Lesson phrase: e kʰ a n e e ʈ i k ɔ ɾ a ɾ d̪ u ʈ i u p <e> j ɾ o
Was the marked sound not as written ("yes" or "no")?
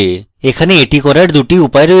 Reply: yes